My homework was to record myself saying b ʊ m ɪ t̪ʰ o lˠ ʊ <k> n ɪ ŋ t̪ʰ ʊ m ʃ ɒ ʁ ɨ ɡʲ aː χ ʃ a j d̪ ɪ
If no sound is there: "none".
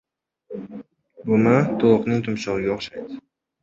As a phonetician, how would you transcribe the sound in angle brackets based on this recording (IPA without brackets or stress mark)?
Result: q